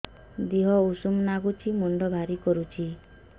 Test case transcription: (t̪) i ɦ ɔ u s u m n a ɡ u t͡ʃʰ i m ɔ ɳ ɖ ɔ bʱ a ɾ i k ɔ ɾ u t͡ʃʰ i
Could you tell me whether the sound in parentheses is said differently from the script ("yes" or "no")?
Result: yes